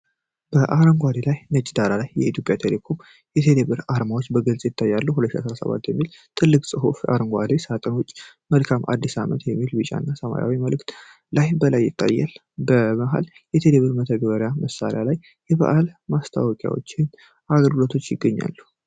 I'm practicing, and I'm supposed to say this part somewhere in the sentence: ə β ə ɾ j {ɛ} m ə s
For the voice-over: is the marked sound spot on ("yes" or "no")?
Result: no